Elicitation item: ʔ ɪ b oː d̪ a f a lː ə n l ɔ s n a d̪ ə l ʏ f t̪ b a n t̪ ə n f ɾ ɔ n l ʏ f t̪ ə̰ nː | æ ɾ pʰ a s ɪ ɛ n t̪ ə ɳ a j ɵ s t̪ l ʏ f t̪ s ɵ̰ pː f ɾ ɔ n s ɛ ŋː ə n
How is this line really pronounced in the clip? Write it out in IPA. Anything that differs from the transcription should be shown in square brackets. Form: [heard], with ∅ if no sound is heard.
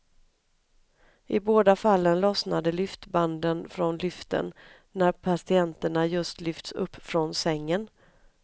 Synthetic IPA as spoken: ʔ ɪ b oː d̪ a f a lː ə n l ɔ s n a d̪ ə l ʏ f t̪ b a n [d̪] ə n f ɾ ɔ n l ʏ f t̪ ə̰ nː | æ ɾ pʰ a s ɪ ɛ n t̪ ə ɳ a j ɵ s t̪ l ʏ f t̪ s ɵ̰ pː f ɾ ɔ n s ɛ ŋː ə n